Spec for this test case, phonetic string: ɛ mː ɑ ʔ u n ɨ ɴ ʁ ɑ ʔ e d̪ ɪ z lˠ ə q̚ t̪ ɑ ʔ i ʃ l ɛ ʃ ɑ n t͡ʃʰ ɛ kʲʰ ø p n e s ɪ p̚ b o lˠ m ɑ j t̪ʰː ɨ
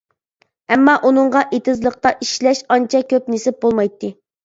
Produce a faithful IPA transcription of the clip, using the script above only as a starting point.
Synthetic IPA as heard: ɛ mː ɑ ʔ u n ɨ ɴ ʁ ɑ ʔ e t̪ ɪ z lˠ ə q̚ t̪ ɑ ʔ i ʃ l ɛ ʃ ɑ n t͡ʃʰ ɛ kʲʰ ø p n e s ɪ p̚ b o lˠ m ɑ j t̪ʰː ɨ